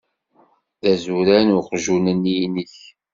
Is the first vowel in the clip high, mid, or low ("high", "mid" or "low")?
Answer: low